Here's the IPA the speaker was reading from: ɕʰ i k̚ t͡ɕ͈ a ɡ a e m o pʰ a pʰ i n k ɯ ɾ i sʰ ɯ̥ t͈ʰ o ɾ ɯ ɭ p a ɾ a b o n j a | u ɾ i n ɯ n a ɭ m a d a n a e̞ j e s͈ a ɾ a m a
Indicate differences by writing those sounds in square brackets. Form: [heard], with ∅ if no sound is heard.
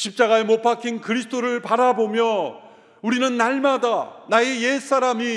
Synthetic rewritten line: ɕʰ i [p̚] t͡ɕ͈ a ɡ a e m o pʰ a [kʰ] i n k ɯ ɾ i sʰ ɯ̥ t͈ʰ o ɾ ɯ ɭ p a ɾ a b o [m] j [ʌ] | u ɾ i n ɯ [nː] a ɭ m a d a n a e̞ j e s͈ a ɾ a m [i]